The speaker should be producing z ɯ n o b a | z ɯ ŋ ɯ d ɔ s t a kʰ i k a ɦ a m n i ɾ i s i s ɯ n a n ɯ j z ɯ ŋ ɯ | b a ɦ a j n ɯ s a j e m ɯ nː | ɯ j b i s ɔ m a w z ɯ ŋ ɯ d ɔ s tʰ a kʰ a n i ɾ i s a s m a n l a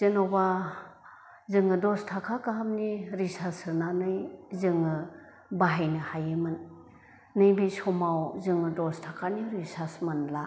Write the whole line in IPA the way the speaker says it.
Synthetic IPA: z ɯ n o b a | z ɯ ŋ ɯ d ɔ s tʰ a kʰ a k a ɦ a m n i ɾ i s a s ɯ n a n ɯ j z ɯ ŋ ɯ | b a ɦ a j n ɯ h a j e m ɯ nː | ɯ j b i s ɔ m a w z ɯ ŋ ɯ d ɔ s tʰ a kʰ a n i ɾ i s a s m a n l a